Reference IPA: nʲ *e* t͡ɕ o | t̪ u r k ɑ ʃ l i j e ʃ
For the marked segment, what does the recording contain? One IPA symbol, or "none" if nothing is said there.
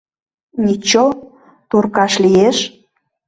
i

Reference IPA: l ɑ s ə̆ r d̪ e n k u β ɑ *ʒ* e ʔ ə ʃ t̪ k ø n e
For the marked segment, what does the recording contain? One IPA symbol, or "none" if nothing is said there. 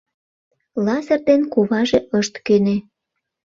ʒ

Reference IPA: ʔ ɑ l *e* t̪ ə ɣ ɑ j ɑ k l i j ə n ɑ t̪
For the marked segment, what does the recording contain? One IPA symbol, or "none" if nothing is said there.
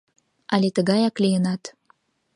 e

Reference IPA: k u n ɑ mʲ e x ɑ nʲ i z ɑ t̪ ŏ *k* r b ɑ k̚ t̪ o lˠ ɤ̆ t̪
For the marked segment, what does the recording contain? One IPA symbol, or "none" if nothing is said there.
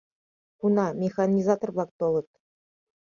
none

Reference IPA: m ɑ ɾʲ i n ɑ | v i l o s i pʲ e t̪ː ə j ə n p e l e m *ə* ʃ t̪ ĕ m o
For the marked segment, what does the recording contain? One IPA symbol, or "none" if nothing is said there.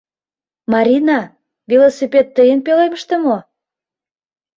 ə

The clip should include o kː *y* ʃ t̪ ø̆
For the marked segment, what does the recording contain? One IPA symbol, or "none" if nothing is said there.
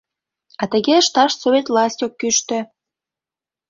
y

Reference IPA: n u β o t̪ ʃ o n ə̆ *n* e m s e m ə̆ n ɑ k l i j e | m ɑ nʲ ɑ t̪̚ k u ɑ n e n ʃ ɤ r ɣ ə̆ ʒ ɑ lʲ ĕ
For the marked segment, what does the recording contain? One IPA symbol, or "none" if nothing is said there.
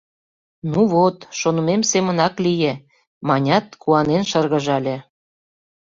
m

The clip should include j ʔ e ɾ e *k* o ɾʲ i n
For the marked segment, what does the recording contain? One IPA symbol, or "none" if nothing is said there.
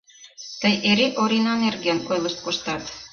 ʔ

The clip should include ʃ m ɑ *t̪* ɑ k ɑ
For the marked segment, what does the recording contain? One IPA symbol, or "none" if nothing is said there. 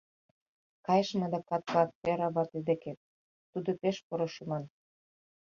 d̪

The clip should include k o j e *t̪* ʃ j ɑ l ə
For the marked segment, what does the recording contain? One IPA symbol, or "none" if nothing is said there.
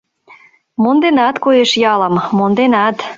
none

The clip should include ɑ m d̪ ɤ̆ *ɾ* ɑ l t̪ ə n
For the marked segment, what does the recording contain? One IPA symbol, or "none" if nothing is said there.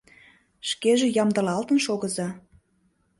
l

